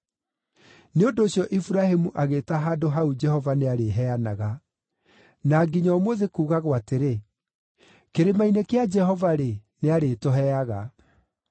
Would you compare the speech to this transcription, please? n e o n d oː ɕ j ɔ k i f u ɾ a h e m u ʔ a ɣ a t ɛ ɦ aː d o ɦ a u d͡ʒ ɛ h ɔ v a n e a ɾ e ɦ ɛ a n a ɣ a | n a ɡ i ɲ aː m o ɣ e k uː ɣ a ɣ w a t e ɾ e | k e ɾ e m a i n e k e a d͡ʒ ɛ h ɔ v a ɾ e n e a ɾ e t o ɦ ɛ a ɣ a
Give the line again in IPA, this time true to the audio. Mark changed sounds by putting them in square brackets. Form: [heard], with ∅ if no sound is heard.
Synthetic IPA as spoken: n e o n d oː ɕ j ɔ [ʔ] i f u ɾ a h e m u ʔ a ɣ [e] t [a] ɦ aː d o ɦ a u d͡ʒ ɛ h ɔ v a n e a ɾ e ɦ ɛ a n a ɣ a | n a ɡ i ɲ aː m o [ð] e k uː ɣ a ɣ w a t e ɾ e | k e ɾ e m a i n e k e a d͡ʒ ɛ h ɔ v a ɾ e n e a ɾ e t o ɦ ɛ a ɣ a